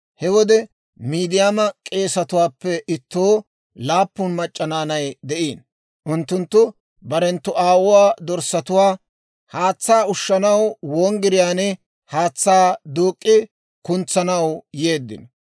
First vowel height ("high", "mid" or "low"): mid